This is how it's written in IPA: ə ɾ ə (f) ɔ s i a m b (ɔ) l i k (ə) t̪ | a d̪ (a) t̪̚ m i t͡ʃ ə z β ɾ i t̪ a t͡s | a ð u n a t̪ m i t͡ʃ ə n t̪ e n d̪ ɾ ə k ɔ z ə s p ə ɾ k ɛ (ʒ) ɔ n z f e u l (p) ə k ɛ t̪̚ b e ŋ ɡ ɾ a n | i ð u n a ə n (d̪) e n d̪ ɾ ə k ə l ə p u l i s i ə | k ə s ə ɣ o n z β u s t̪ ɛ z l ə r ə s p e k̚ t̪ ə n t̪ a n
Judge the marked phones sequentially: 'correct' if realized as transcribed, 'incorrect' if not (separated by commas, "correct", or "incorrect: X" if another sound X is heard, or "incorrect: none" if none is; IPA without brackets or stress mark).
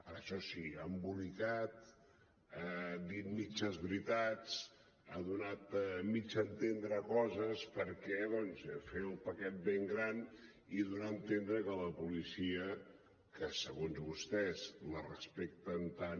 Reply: incorrect: ʃ, incorrect: u, incorrect: a, incorrect: i, incorrect: ð, correct, incorrect: t̪